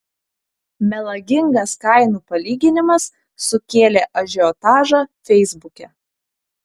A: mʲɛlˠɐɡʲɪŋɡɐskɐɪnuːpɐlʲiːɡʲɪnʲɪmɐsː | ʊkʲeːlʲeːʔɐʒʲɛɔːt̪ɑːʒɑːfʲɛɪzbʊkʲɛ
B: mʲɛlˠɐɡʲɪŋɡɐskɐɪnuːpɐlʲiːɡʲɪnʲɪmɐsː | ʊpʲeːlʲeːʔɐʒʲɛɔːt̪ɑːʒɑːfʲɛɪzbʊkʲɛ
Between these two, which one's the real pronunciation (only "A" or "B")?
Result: A